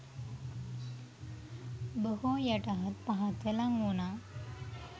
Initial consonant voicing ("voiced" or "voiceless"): voiced